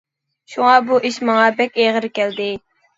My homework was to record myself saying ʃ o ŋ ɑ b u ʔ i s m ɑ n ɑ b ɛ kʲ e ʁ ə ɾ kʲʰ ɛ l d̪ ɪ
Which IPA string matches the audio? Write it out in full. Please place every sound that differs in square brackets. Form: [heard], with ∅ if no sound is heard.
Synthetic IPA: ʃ [u] ŋ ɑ b u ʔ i [ʃ] m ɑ [ŋ] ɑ b ɛ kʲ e ʁ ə ɾ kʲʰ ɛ l d̪ ɪ